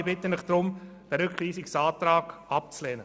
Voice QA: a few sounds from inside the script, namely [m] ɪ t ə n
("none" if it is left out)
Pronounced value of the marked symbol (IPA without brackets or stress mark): b